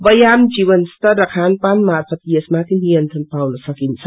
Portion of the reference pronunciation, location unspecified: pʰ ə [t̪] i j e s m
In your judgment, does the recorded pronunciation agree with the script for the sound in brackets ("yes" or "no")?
yes